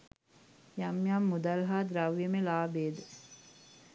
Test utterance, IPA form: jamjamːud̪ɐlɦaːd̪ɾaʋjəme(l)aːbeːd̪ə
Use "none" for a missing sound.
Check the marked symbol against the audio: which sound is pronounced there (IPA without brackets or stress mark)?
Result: l